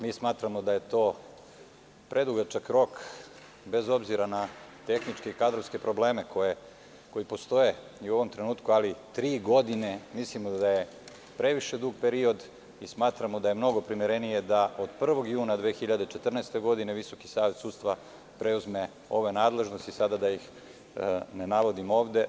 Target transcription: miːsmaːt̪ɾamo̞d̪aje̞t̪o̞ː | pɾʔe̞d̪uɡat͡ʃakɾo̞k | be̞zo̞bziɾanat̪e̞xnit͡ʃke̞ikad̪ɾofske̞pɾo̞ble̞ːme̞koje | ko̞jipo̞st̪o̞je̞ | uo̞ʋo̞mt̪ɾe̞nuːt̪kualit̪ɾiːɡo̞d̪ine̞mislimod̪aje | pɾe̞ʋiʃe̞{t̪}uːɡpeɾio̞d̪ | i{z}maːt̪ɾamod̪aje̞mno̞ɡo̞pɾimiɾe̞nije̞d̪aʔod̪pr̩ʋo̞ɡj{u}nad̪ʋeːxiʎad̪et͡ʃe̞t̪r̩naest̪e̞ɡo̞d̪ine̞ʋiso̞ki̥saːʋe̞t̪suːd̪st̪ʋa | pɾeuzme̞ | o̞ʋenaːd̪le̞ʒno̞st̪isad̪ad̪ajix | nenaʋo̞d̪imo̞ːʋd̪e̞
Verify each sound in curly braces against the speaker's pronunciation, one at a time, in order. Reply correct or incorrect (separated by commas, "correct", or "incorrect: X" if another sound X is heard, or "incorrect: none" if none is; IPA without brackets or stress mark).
incorrect: d̪, incorrect: s, incorrect: uː